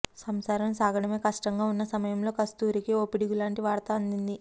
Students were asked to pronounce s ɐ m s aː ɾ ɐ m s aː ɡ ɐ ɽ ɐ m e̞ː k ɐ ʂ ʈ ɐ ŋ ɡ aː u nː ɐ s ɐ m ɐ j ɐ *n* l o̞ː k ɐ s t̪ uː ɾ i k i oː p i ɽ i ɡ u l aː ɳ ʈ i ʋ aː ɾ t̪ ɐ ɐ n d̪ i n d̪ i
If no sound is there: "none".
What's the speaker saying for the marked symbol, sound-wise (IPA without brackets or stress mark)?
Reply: m